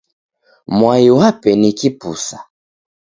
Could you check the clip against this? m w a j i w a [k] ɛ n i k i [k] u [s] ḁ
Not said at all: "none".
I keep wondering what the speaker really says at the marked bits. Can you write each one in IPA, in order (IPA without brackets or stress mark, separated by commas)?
p, p, s